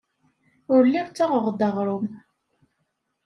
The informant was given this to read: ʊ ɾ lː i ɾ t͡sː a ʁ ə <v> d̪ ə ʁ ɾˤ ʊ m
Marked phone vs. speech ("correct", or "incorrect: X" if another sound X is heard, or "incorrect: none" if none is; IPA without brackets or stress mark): incorrect: ʁ